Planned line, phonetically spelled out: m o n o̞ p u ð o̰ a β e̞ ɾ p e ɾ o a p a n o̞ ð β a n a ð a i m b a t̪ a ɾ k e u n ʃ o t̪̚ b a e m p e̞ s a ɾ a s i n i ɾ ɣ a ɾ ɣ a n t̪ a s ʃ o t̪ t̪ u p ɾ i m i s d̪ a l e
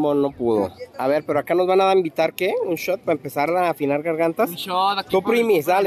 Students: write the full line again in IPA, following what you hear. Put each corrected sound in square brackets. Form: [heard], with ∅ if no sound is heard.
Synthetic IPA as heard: m o n o̞ p u ð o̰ a β e̞ ɾ p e ɾ o a [k] a n o̞ [z] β a n a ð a i m b [i] t̪ a ɾ k e u n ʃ o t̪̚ [p] a e m p e̞ s a ɾ a [f] i n [a] ɾ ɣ a ɾ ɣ a n t̪ a s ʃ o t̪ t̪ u p ɾ i m i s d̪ a l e